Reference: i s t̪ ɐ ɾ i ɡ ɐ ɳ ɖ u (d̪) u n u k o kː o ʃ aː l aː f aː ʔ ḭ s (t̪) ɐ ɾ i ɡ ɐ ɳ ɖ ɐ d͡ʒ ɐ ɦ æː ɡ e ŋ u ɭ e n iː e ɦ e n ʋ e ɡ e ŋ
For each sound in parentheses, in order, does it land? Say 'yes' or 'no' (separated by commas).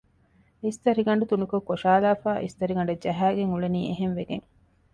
no, yes